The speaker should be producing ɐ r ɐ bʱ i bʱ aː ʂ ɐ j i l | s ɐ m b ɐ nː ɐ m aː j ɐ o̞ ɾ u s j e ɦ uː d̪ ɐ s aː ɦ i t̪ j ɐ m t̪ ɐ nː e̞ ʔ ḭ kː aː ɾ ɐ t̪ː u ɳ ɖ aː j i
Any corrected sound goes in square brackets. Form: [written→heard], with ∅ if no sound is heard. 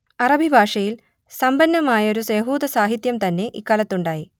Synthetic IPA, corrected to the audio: ɐ r ɐ bʱ i bʱ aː ʂ ɐ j i l | s ɐ m b ɐ nː ɐ m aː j ɐ o̞ ɾ u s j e ɦ uː d̪ ɐ s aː ɦ i t̪ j ɐ m t̪ ɐ nː e̞ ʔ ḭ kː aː [ɾ→l] ɐ t̪ː u ɳ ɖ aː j i